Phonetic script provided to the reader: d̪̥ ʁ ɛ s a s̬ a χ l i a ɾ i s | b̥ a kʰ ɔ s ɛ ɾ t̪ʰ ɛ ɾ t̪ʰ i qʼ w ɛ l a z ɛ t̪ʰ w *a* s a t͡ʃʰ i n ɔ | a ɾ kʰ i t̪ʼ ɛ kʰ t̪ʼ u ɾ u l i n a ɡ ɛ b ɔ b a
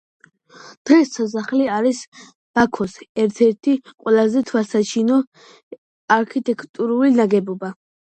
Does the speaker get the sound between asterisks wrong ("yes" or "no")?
no